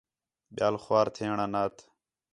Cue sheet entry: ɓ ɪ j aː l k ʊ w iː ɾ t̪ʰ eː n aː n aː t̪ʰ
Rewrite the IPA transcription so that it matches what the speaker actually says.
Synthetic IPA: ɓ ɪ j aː l x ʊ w aː ɾ t̪ʰ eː ɳ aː n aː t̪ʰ